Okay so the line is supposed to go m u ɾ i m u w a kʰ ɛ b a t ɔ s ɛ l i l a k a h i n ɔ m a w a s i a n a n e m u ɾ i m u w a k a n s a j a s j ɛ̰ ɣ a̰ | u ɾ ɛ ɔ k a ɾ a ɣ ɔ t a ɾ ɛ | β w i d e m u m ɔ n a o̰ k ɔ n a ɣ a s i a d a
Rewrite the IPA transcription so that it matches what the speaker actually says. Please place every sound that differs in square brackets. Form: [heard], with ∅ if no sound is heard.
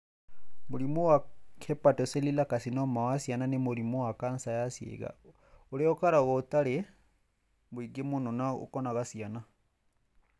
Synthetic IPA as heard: m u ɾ i m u w a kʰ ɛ [p] a t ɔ s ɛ l i l a k a [s] i n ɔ m a w a s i a n a n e m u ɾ i m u w a k a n s a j a s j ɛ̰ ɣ a̰ | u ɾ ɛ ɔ k a ɾ a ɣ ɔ t a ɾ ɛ | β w i [ɡ] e m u [n] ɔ n a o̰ k ɔ n a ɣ a s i a [n] a